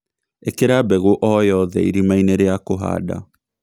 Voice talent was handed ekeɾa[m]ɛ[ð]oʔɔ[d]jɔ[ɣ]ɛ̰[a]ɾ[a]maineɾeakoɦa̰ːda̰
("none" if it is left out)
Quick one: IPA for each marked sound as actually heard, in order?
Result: b, ɣ, none, ð, i, i

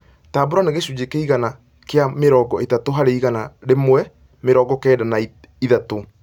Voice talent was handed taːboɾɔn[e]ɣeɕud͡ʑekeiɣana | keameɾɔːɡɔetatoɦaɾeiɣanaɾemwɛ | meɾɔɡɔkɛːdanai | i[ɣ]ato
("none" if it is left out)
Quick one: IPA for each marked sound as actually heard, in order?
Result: e, ð

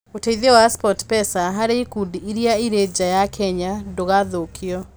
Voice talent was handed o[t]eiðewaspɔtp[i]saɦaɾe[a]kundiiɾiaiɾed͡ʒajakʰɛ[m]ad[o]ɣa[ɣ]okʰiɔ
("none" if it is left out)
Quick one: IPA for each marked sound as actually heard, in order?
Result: t, ɛ, i, ɲ, o, ð

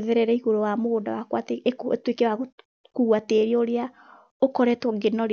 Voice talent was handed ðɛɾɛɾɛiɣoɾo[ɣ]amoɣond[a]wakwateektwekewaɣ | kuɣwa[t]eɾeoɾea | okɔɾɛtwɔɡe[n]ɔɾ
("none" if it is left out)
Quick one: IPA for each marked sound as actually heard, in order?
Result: w, a, t, n

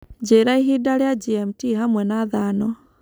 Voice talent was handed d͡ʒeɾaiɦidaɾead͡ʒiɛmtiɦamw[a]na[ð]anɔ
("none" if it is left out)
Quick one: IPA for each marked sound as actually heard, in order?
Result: ɛ, ð

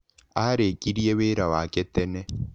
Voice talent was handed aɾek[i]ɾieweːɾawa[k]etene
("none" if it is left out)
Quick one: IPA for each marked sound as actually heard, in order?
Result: i, k

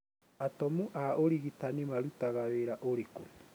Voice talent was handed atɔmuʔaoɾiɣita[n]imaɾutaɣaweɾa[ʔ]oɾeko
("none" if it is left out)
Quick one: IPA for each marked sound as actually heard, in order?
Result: n, ʔ

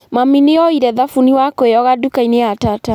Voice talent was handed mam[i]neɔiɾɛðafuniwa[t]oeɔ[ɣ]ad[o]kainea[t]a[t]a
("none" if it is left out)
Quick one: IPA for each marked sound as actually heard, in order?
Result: i, k, ɣ, u, t, t

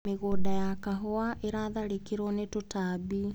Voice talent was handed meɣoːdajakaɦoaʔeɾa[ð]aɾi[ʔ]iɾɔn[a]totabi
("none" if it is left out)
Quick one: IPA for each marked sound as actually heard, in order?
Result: ð, k, e

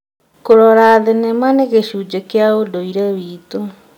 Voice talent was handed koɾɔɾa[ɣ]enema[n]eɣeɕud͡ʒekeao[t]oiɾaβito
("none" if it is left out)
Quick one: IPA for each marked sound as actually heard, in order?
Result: ð, n, d

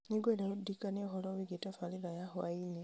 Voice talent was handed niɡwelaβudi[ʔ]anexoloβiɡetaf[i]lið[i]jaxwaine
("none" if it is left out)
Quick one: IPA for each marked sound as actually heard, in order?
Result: k, a, a

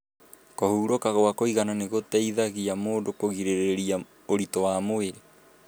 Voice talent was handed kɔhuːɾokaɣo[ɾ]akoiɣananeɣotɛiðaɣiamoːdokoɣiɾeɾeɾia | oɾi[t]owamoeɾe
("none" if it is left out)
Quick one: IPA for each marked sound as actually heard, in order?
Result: none, t

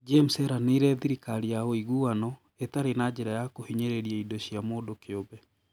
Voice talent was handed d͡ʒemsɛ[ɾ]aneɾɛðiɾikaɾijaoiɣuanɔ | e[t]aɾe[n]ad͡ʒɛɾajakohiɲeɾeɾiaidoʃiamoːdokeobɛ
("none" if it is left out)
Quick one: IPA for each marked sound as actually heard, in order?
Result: ɾ, t, n

